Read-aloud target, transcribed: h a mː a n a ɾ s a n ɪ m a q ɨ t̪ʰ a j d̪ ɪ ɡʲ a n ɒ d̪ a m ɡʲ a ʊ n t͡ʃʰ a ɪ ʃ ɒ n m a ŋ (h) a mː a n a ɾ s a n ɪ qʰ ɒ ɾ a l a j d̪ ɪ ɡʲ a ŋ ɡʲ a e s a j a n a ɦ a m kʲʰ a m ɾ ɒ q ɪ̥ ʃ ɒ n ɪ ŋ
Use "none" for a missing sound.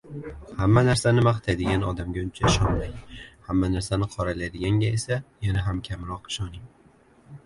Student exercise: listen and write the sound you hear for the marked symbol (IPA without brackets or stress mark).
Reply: h